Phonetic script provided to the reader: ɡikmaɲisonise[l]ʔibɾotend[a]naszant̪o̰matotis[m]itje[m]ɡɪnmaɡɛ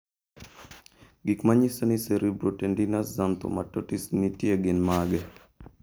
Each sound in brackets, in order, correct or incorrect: incorrect, incorrect, incorrect, incorrect

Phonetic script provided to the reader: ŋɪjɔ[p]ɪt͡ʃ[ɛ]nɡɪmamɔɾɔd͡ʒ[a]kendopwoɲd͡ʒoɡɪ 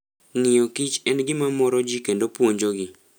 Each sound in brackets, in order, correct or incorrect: incorrect, correct, incorrect

